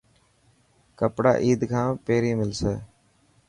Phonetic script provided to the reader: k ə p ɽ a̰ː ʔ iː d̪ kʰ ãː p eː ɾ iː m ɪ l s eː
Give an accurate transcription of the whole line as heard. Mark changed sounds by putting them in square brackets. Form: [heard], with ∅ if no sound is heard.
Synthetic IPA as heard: k ə p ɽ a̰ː ʔ iː d̪ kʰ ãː p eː ɾ iː m ɪ l s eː